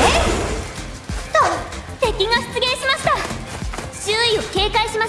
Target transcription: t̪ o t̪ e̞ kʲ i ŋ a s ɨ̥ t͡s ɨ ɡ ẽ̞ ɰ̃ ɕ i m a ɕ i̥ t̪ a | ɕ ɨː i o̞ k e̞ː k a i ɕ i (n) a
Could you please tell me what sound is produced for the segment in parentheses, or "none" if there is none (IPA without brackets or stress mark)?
m